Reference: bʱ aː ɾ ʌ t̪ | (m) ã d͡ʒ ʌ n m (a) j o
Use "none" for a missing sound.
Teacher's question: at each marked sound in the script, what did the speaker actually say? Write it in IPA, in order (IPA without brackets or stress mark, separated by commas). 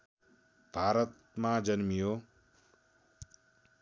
m, i